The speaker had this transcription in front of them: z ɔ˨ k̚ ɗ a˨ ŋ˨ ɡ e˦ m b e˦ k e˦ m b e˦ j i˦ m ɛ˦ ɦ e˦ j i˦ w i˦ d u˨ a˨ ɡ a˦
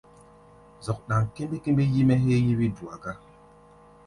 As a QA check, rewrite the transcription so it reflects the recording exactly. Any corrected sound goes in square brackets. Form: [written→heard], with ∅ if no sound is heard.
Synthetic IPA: z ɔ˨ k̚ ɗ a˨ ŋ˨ [ɡ→k] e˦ m b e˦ k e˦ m b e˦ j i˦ m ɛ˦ ɦ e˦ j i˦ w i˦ d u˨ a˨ ɡ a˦